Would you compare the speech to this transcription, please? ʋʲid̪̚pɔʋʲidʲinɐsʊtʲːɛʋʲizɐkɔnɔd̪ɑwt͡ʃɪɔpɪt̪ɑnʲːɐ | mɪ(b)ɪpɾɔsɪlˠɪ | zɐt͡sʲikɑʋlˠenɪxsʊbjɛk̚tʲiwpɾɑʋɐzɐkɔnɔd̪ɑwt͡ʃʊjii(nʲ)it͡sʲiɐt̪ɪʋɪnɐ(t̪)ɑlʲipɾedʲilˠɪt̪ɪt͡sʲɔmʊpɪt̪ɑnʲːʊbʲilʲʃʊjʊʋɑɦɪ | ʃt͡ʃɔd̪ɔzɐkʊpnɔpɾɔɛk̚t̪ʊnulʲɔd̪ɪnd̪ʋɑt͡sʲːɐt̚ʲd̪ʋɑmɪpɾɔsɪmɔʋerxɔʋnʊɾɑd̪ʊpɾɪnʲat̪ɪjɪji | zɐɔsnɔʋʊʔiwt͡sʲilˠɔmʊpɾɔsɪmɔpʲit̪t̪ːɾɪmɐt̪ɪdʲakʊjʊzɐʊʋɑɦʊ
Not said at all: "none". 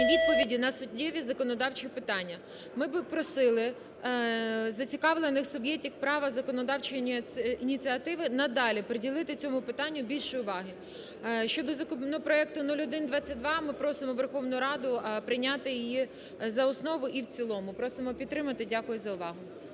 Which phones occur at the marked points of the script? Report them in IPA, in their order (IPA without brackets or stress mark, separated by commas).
b, nʲ, d̪